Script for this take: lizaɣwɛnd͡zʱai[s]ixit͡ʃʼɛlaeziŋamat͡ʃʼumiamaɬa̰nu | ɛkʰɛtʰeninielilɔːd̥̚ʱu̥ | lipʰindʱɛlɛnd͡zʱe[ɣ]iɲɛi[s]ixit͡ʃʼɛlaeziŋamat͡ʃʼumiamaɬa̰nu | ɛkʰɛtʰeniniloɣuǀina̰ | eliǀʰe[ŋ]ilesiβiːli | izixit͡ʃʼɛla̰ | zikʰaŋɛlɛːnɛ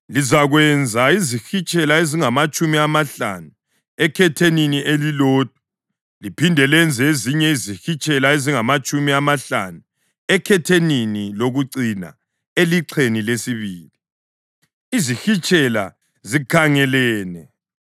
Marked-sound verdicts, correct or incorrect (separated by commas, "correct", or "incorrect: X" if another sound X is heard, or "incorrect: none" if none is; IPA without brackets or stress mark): incorrect: z, incorrect: z, incorrect: z, incorrect: n